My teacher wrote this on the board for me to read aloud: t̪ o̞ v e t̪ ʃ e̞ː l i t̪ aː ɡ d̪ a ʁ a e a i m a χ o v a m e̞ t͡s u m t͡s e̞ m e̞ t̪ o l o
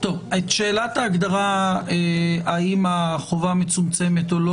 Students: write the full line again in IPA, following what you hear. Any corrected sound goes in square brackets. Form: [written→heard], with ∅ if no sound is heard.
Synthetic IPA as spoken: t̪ o̞ v e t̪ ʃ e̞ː l [i→a] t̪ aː ɡ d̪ a ʁ a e a i m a χ o v a m e̞ t͡s u m t͡s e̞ m e̞ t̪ o l o